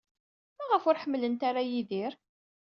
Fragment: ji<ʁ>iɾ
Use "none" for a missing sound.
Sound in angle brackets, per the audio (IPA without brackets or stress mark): ð